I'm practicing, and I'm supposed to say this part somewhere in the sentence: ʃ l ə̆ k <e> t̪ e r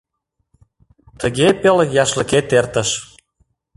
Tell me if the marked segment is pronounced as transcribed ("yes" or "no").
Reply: yes